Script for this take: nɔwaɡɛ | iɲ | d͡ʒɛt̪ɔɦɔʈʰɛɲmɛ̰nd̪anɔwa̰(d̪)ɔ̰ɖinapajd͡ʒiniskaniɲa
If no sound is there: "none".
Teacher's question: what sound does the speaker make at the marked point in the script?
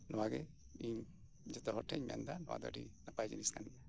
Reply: d̪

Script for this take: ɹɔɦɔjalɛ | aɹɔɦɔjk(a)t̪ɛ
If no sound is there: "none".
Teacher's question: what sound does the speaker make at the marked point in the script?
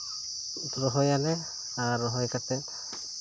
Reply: a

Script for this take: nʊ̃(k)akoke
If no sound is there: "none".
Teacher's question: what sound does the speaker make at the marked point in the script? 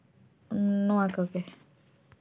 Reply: none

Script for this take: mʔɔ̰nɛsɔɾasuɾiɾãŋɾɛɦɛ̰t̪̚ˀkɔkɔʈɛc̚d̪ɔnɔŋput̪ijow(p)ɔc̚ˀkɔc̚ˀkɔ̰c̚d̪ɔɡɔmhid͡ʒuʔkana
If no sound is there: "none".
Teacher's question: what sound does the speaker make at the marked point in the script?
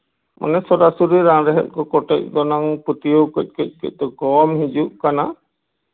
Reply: k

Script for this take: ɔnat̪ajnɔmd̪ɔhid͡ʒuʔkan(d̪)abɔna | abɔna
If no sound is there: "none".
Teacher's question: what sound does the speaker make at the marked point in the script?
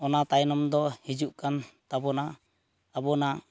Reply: t̪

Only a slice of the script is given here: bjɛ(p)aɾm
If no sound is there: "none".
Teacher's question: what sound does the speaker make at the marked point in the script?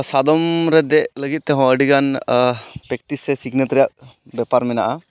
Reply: p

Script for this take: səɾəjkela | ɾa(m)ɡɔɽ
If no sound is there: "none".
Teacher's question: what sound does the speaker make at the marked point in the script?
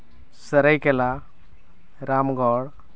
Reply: m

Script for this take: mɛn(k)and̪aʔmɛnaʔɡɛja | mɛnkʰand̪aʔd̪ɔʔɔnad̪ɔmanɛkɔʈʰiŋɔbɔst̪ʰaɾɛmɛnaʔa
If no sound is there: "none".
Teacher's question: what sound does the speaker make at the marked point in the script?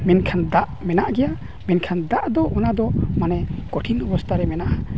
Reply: kʰ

